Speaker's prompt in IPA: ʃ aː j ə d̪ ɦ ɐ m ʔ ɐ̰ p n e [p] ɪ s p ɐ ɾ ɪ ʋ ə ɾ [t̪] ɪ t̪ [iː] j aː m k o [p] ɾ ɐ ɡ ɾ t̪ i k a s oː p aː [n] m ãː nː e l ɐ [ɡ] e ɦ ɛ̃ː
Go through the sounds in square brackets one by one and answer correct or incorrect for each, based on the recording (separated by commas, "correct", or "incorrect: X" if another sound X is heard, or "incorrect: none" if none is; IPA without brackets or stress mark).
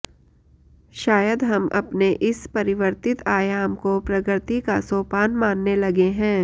incorrect: ʔ, correct, incorrect: aː, correct, correct, correct